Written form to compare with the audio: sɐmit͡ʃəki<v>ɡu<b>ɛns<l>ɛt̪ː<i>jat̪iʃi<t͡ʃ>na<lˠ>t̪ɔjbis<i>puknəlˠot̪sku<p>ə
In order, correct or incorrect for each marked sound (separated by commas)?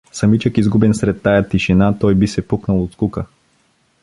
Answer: incorrect, correct, incorrect, incorrect, incorrect, incorrect, incorrect, incorrect